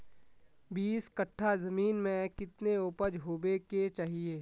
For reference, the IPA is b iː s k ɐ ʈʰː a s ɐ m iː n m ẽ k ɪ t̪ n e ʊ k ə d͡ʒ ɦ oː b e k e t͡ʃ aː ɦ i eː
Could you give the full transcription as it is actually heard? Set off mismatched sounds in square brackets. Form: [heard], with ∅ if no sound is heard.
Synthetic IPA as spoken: b iː s k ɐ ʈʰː a [z] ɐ m iː n m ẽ k ɪ t̪ n e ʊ [p] ə d͡ʒ ɦ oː b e k e t͡ʃ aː ɦ i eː